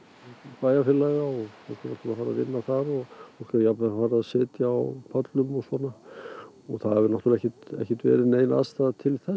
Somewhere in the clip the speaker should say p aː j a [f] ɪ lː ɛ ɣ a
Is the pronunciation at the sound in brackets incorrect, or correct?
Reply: correct